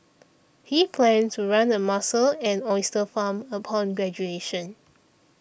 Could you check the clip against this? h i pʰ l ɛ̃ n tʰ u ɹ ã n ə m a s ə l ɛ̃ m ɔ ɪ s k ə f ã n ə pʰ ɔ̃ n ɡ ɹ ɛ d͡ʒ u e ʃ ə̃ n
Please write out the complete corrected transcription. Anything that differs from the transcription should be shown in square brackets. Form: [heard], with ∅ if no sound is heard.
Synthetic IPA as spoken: h i pʰ l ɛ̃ n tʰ u ɹ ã n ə m a s ə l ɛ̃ [n] ɔ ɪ s [t] ə f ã [m] ə pʰ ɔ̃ n ɡ ɹ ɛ d͡ʒ u e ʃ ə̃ n